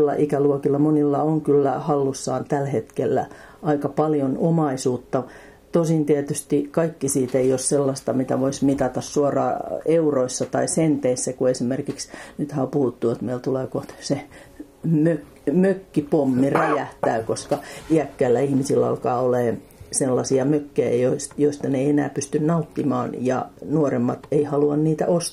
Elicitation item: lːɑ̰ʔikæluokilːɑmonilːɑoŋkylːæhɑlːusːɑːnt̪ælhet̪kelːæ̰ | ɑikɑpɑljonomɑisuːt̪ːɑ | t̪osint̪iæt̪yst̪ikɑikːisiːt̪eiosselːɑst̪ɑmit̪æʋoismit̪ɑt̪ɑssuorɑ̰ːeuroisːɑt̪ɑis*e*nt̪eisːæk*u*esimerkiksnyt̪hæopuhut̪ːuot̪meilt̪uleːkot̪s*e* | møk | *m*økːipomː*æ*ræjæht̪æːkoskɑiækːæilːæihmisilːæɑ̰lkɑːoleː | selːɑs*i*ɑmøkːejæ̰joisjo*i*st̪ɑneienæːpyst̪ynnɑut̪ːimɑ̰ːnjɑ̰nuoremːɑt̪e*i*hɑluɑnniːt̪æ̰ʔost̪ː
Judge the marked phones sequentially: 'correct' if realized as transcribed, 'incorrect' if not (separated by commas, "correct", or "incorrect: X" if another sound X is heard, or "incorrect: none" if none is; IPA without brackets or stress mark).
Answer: correct, correct, correct, correct, incorrect: i, correct, correct, correct